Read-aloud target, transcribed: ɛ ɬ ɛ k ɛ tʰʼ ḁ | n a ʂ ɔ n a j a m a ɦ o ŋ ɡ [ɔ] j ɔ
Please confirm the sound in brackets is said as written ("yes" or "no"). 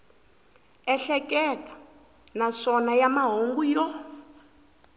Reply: no